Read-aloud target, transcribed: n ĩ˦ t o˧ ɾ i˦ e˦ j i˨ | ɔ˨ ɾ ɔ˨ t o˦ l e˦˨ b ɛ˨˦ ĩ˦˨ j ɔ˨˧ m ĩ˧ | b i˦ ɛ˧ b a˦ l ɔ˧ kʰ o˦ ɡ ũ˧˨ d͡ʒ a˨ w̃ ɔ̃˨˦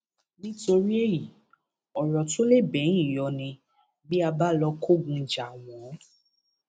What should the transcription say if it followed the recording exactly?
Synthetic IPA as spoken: n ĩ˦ t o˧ ɾ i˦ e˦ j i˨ | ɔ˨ ɾ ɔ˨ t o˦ l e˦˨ b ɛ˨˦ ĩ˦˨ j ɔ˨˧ n ĩ˧ | b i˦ a˧ b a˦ l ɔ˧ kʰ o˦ ɡ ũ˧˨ d͡ʒ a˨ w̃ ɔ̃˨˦

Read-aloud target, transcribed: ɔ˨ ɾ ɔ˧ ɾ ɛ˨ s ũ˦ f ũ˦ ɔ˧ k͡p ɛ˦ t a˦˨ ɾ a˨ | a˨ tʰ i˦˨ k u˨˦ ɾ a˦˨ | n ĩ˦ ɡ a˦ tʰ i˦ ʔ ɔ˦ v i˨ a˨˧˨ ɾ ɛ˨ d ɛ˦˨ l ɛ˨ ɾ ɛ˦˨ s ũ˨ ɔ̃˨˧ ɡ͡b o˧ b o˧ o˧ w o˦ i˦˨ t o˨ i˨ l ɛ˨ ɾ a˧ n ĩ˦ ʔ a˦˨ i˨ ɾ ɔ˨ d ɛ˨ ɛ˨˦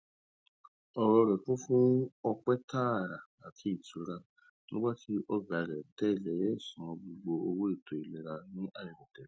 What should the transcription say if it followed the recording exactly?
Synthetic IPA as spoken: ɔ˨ ɾ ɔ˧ ɾ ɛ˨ f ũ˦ f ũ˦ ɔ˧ k͡p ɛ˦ t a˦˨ ɾ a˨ | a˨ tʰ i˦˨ t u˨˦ ɾ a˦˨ | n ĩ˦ ɡ͡b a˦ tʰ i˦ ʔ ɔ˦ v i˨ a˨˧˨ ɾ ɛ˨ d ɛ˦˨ l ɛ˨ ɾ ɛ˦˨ s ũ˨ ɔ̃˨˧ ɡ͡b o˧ ɡ͡b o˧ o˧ w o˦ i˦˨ t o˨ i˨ l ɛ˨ ɾ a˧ n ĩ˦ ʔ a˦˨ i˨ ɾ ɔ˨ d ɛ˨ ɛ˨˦

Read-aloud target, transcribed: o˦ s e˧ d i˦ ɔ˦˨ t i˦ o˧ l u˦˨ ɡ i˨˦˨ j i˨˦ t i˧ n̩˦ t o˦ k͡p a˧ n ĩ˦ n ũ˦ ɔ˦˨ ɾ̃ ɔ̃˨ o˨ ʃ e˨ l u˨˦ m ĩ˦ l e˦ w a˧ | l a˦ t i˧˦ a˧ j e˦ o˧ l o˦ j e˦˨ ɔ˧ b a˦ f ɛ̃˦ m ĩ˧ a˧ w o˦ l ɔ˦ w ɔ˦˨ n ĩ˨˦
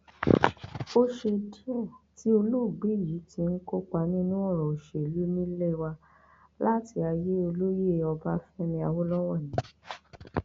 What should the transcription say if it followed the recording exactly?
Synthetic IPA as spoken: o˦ ʃ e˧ d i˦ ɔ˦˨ t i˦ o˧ l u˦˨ ɡ͡b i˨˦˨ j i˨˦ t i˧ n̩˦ k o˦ k͡p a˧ n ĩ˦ n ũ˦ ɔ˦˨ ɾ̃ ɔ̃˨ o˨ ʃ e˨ l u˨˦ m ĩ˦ l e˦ w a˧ | l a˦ t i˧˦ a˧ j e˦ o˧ l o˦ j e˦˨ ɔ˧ b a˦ f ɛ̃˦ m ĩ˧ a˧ w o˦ l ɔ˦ w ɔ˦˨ n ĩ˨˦

